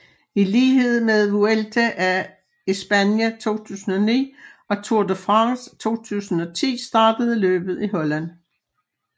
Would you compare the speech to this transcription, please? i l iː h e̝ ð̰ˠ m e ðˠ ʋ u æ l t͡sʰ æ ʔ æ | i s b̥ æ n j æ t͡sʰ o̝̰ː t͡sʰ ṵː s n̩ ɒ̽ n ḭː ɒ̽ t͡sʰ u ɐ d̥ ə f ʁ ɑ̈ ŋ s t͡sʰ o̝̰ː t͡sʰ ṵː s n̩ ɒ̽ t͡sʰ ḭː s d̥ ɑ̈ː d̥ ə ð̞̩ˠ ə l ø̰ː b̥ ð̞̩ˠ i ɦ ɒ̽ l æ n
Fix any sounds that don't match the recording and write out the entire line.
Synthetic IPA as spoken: i l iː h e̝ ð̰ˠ m e ðˠ ʋ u e l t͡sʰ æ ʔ æ | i s b̥ æ n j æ t͡sʰ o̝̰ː t͡sʰ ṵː s n̩ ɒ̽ n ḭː ɒ̽ t͡sʰ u ɐ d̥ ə f ʁ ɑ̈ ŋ s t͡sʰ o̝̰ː t͡sʰ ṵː s n̩ ɒ̽ t͡sʰ ḭː s d̥ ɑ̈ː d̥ ə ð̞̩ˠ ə l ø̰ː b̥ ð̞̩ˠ i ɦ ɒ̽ l æ n

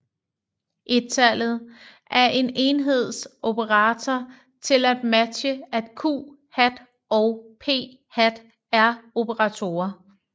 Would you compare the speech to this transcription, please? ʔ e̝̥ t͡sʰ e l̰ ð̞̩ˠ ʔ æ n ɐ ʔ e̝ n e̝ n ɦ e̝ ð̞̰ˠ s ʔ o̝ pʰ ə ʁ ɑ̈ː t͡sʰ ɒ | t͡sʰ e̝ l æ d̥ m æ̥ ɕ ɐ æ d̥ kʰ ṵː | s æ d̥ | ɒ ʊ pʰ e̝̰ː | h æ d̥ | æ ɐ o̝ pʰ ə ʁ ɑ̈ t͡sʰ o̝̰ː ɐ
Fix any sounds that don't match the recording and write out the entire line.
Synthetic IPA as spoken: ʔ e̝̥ t͡sʰ æ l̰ ð̞̩ˠ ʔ æ ɐ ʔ e̝ n e̝ n ɦ e̝ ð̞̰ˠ s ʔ o̝ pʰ ə ʁ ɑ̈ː t͡sʰ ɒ | t͡sʰ e̝ l æ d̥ m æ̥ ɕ ə æ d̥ kʰ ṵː | h æ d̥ | ɒ ʊ pʰ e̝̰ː | h æ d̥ | æ ɐ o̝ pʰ ə ʁ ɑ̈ t͡sʰ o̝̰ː ɐ

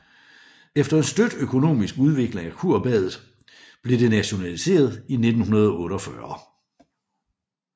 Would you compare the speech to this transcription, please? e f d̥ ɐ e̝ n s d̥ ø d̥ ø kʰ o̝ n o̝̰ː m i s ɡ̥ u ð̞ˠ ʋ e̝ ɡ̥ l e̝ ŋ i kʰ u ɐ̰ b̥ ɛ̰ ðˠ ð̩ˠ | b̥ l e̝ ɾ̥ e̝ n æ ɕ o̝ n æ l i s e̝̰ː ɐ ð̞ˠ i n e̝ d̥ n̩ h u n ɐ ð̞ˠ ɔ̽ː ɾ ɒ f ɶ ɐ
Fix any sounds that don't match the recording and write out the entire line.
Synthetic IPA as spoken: e f d̥ ɐ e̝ n s d̥ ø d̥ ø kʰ o̝ n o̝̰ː m i s ɡ̥ u ð̞ˠ ʋ e̝ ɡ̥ l e̝ ŋ æ kʰ u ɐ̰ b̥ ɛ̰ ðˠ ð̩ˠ | b̥ l e̝ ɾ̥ e̝ n æ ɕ o̝ n æ l i s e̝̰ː ɐ ð̞ˠ i n e̝ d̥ n̩ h u n ɐ ð̞ˠ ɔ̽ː ɾ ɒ f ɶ ɐ

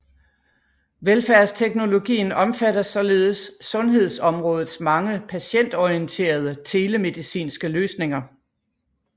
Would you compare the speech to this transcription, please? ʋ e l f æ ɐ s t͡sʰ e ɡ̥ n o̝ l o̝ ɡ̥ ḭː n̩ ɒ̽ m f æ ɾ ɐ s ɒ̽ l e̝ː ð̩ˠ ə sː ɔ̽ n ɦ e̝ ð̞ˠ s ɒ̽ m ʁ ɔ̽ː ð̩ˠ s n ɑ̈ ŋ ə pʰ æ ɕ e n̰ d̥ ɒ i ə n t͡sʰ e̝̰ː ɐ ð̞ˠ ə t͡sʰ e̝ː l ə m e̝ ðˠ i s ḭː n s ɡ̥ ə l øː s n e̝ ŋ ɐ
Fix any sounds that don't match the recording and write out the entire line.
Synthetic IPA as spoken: ʋ e l f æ ɐ s t͡sʰ e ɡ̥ n o̝ l o̝ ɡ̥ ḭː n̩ ɒ̽ m f æ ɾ ɐ s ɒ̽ l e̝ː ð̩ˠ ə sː ɔ̽ n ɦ e̝ ð̞ˠ s ɒ̽ m ʁ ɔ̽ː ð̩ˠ s m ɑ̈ ŋ ə pʰ æ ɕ e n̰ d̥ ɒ i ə n t͡sʰ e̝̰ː ɐ ð̞ˠ ə t͡sʰ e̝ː l ə m e̝ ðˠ i s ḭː n s ɡ̥ ə l øː s n e̝ ŋ ɐ

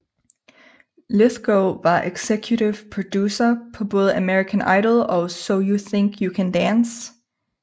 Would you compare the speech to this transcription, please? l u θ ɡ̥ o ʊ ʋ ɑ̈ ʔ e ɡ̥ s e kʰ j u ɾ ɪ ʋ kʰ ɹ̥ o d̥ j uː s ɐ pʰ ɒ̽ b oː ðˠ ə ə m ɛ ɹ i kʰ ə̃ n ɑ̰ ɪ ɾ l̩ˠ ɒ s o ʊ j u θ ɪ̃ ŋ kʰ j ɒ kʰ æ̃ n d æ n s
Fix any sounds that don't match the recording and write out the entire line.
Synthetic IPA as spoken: l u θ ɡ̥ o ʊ ʋ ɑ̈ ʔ e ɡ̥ s e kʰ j u ɾ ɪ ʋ pʰ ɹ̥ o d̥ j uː s ɐ pʰ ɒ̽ b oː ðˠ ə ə m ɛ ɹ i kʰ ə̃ n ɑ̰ ɪ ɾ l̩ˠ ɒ s o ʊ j u θ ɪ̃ ŋ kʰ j u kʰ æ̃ n d æ n s

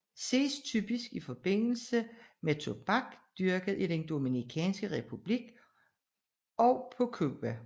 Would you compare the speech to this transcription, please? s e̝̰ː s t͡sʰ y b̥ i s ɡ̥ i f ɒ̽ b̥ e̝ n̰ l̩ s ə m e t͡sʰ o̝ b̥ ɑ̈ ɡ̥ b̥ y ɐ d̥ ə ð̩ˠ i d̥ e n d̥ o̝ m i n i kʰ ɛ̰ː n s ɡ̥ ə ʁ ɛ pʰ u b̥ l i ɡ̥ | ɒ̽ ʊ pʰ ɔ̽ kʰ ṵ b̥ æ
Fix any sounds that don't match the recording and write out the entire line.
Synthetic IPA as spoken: s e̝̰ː s t͡sʰ y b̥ i s ɡ̥ i f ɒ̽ b̥ e̝ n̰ l̩ s ə m e t͡sʰ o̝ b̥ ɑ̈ ɡ̥ d̥ y ɐ ɡ̥ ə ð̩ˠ i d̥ e n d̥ o̝ m i n i kʰ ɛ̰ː n s ɡ̥ ə ʁ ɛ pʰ u b̥ l i ɡ̥ | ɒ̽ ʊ pʰ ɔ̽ kʰ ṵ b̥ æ

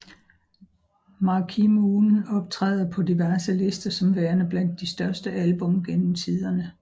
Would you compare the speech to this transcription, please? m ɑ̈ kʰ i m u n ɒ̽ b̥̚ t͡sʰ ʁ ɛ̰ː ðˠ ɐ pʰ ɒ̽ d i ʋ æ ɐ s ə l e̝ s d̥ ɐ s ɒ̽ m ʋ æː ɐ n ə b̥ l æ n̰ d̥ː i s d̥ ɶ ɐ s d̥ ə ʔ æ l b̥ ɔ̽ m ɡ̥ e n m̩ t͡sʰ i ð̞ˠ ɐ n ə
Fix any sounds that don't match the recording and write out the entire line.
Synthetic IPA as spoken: m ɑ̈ kʰ i m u n ɒ̽ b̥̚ t͡sʰ ʁ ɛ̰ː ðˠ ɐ pʰ ɒ̽ d i ʋ æ ɐ s ə l e̝ s d̥ ɐ s ɒ̽ m ʋ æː ɐ n ə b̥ l æ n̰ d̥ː i s d̥ ɶ ɐ s d̥ ə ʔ æ l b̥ ɔ̽ m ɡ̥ e n m̩ t͡sʰ i ð̞ˠ ɐ n ə

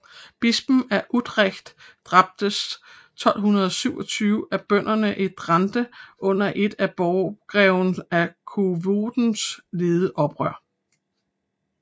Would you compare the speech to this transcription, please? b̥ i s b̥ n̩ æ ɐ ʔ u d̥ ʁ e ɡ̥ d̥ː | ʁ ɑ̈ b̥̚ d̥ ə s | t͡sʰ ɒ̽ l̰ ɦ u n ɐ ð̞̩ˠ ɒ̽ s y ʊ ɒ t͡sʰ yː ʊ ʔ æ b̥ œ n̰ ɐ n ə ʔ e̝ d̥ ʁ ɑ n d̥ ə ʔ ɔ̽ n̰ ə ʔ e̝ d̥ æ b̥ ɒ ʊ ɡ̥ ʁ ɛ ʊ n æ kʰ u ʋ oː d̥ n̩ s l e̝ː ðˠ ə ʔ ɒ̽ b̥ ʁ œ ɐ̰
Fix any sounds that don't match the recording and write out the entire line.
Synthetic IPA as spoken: b̥ i s b̥ n̩ æ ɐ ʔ u d̥ ʁ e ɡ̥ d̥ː | ʁ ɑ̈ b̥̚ d̥ ə s | t͡sʰ ɒ̽ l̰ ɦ u n ɐ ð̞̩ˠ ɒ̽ s y ʊ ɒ t͡sʰ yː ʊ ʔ æ b̥ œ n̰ ɐ n ə ʔ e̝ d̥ ʁ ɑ n d̥ ə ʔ ɔ̽ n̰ ɐ ʔ e̝ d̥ æ b̥ ɒ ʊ ɡ̥ ʁ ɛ ʊ n æ kʰ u ʋ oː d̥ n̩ s l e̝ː ðˠ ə ʔ ɒ̽ b̥ ʁ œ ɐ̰

